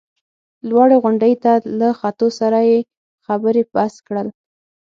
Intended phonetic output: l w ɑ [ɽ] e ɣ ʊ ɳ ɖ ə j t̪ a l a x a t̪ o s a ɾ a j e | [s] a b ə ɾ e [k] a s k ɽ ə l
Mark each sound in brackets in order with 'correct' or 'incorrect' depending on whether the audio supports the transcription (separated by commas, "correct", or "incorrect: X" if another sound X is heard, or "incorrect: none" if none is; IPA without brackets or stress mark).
correct, incorrect: x, incorrect: p